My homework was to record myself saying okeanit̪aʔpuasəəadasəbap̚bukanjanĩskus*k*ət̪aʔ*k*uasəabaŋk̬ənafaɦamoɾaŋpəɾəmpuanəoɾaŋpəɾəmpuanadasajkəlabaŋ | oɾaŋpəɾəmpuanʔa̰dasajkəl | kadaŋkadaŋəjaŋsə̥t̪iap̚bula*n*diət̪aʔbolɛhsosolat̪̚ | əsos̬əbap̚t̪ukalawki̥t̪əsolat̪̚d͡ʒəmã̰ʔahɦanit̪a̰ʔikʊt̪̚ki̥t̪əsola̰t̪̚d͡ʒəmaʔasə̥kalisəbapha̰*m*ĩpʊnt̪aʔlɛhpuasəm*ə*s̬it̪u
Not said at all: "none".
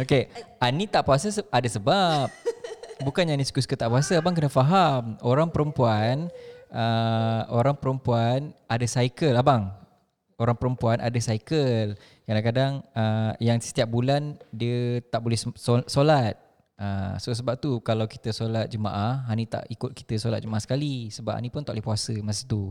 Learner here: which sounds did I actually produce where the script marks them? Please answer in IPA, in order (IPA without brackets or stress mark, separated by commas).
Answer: k, p, n, n, a